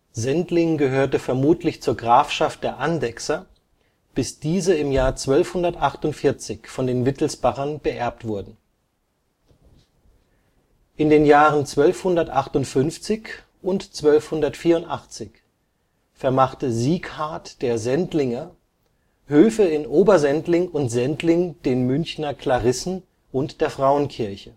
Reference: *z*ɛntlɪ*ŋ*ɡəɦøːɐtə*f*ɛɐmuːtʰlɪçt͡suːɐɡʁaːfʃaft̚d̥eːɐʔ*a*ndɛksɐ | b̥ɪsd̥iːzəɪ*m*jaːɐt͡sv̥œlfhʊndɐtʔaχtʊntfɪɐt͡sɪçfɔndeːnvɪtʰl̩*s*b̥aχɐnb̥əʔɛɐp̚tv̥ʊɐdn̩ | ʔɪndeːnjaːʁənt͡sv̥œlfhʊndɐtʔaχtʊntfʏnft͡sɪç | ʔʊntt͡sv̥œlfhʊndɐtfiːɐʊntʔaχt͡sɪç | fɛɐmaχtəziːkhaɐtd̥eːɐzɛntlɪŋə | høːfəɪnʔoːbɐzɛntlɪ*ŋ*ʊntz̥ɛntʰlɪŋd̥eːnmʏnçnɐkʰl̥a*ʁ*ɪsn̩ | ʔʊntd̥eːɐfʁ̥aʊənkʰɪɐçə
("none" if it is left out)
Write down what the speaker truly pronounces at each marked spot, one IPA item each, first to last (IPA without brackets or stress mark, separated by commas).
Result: z, ŋ, f, a, m, s, ŋ, ʁ